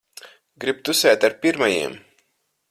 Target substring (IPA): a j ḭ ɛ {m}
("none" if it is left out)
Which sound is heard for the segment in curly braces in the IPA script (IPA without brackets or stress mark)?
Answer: m